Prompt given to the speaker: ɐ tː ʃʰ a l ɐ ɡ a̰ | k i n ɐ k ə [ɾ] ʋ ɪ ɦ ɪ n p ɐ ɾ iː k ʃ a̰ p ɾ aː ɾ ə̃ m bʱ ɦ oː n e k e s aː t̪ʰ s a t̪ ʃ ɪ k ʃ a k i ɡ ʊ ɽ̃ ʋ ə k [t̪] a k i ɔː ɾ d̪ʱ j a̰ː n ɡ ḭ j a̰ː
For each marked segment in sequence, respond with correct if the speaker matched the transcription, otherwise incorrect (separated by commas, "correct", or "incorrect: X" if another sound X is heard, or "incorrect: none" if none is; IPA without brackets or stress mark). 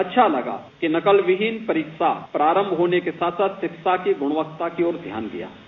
incorrect: l, correct